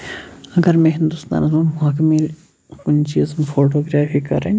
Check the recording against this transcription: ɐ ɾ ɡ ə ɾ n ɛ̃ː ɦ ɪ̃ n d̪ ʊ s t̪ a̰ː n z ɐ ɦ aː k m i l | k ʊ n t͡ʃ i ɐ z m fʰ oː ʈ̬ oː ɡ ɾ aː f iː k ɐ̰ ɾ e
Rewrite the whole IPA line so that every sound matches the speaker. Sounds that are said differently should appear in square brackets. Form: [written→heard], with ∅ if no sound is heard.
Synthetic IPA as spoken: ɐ [ɾ→∅] ɡ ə ɾ [n→m] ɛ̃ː ɦ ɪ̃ n d̪ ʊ s t̪ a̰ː n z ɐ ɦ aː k m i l | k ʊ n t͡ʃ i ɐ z m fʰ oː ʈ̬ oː ɡ ɾ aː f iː k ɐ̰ ɾ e